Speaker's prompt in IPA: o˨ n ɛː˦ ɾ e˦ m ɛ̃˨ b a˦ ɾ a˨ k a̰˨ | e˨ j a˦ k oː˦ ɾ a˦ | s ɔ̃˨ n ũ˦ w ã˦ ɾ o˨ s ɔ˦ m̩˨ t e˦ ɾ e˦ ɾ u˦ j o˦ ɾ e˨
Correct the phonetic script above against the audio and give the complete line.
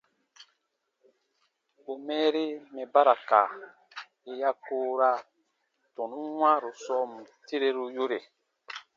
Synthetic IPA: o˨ m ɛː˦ ɾ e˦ m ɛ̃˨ b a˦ ɾ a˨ k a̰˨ | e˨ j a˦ k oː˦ ɾ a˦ | t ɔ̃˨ n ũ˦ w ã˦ ɾ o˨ s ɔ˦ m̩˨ t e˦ ɾ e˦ ɾ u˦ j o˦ ɾ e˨